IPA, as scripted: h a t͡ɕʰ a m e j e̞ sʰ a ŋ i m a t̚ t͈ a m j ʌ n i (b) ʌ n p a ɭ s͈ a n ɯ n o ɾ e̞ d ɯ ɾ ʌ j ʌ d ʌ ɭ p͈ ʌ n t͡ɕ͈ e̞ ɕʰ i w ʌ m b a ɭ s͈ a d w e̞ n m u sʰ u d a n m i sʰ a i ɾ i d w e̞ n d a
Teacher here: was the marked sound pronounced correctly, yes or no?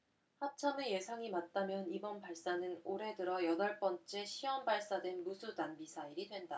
yes